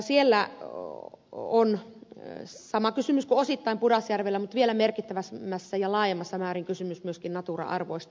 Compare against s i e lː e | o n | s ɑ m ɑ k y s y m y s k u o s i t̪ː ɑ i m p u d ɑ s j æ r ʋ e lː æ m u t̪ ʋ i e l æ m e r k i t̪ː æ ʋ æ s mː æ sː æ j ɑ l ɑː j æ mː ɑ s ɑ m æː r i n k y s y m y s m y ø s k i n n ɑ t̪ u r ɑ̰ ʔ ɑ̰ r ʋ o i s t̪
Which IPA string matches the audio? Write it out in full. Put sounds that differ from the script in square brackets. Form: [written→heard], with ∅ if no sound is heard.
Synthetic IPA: s i e lː [e→æ] | o n | s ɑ m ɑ k y s y m y s k u o s i t̪ː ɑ i m p u d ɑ s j æ r ʋ e lː æ m u t̪ ʋ i e l æ m e r k i t̪ː æ ʋ æ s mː æ sː æ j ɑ l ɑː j [æ→e] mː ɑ [s→sː] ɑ m æː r i [n→ŋ] k y s y m y s m y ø s k i n n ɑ t̪ u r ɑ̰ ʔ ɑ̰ r ʋ o i s t̪